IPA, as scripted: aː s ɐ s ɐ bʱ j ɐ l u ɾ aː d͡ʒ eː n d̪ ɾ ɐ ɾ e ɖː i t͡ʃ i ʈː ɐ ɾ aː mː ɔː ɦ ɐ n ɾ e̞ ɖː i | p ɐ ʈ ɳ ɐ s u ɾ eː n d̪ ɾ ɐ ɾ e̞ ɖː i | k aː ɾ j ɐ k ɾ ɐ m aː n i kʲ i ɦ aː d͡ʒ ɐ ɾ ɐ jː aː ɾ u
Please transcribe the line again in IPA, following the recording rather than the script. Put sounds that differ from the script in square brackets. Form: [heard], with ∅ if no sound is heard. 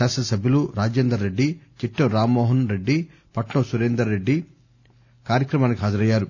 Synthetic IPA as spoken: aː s ɐ s ɐ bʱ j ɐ l u ɾ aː d͡ʒ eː n d̪ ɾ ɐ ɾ e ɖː i t͡ʃ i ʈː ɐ ɾ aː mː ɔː ɦ ɐ n ɾ e̞ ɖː i | p ɐ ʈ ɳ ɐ s u ɾ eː n d̪ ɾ ɐ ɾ e̞ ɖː i | k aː ɾ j ɐ k ɾ ɐ m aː n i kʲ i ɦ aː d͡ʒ ɐ ɾ ɐ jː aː ɾ u